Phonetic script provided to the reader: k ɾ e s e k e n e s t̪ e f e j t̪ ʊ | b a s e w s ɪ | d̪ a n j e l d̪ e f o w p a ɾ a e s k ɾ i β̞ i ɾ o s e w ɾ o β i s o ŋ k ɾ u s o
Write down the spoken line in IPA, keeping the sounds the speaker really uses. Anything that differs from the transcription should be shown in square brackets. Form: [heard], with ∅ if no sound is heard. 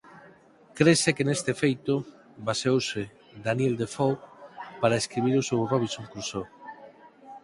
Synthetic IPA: k ɾ e s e k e n e s t̪ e f e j t̪ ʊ | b a s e w s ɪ | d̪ a n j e l d̪ e f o w p a ɾ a e s k ɾ i β̞ i ɾ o s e w [r] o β i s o ŋ k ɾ u s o

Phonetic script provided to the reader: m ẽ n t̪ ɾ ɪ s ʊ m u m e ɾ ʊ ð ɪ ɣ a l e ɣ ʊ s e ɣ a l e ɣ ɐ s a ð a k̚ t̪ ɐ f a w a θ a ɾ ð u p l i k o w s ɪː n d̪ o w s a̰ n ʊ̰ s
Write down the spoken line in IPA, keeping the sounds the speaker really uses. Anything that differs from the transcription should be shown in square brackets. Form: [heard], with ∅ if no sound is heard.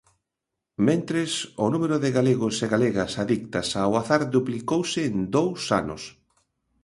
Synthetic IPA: m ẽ n t̪ ɾ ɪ s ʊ [n] u m e ɾ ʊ ð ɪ ɣ a l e ɣ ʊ s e ɣ a l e ɣ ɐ s a ð [i] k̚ t̪ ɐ [s] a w a θ a ɾ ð u p l i k o w s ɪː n d̪ o w s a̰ n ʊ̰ s

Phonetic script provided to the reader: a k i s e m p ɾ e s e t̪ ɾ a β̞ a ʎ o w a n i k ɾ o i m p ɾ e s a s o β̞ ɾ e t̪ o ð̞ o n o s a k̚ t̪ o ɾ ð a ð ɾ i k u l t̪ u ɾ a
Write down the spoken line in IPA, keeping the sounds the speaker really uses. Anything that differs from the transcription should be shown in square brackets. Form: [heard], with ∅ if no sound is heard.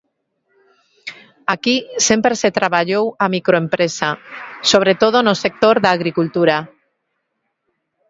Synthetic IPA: a k i s e m p ɾ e s e t̪ ɾ a β̞ a ʎ o w a [m] i k ɾ o [e] m p ɾ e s a s o β̞ ɾ e t̪ o ð̞ o n o s [e] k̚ t̪ o ɾ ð a [ɣ] ɾ i k u l t̪ u ɾ a

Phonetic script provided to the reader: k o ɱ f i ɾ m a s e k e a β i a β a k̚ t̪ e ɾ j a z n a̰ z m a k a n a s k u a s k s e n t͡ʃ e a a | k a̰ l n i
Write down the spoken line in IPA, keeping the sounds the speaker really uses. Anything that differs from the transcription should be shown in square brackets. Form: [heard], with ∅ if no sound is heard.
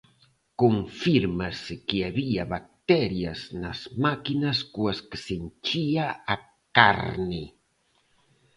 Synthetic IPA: k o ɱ f i ɾ m a s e k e a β i a β a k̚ t̪ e ɾ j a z n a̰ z m a k [i] n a s k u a s k s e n t͡ʃ [i] a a | k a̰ [ɾ] n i

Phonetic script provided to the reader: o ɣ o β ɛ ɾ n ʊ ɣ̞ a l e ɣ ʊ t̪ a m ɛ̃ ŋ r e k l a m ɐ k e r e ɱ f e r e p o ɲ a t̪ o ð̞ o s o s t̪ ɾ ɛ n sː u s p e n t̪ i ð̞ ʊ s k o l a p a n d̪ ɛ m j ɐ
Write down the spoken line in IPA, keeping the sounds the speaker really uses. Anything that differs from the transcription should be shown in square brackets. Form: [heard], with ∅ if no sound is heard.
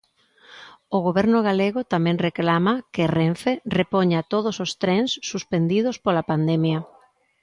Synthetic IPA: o ɣ o β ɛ ɾ n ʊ ɣ̞ a l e ɣ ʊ t̪ a m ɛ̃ ŋ r e k l a m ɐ k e r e ɱ f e r e p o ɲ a t̪ o ð̞ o s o s t̪ ɾ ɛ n sː u s p e n [d̪] i ð̞ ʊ s [p] o l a p a n d̪ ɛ m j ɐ

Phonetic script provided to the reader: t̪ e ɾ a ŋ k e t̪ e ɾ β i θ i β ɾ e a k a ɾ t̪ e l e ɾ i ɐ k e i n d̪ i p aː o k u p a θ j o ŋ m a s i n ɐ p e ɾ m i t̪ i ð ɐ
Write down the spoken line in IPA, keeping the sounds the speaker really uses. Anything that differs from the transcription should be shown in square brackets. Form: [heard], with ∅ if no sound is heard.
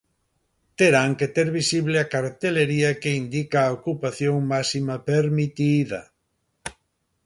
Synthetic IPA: t̪ e ɾ a ŋ k e t̪ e ɾ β i [s] i β [l] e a k a ɾ t̪ e l e ɾ i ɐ k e i n d̪ i [k] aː o k u p a θ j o ŋ m a s i [m] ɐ p e ɾ m i t̪ i ð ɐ

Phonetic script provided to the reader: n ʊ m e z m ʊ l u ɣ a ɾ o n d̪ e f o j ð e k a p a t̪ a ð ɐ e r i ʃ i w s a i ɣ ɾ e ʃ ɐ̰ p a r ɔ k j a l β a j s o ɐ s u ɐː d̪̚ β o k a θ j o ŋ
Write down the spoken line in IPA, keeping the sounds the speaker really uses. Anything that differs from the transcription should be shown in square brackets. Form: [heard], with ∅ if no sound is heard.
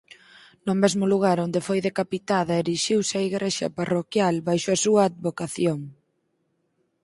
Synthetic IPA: n ʊ m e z m ʊ l u ɣ a ɾ o n d̪ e f o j ð e k a p [i] t̪ a ð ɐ e [ɾ] i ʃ i w s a i ɣ ɾ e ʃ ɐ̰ p a r [o] k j a l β a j [ʃ] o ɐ s u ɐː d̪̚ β o k a θ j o ŋ

